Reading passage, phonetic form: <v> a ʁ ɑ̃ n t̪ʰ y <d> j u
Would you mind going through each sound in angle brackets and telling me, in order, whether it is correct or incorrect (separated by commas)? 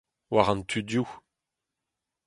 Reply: incorrect, correct